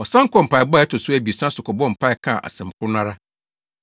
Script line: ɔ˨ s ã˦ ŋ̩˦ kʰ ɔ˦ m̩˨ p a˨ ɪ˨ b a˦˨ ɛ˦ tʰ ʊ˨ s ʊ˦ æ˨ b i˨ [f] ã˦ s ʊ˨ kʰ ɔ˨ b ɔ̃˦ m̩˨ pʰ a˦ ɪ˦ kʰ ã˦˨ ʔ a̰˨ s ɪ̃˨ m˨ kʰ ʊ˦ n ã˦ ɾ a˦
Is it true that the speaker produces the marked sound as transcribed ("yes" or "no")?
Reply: no